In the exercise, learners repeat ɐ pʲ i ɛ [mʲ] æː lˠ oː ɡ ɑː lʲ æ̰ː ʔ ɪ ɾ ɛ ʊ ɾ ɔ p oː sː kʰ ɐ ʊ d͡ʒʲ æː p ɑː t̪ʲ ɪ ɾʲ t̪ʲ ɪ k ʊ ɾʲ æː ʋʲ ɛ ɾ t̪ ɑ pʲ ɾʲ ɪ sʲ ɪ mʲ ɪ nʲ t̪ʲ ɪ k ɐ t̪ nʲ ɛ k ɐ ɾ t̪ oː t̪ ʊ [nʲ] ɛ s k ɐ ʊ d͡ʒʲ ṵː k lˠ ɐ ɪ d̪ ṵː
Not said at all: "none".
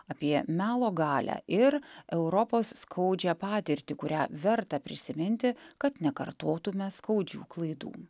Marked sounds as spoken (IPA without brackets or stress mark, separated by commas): mʲ, mʲ